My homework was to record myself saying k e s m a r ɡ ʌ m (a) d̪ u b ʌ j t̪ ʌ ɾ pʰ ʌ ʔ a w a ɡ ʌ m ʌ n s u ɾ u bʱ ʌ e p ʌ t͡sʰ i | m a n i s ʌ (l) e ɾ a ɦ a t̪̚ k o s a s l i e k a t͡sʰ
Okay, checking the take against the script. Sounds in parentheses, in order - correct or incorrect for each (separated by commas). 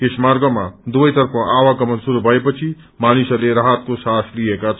correct, correct